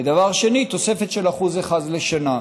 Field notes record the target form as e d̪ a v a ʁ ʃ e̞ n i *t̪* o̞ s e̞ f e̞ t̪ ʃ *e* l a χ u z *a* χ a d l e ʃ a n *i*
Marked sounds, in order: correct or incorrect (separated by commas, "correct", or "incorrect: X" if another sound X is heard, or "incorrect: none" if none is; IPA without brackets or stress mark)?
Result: correct, correct, incorrect: e, incorrect: a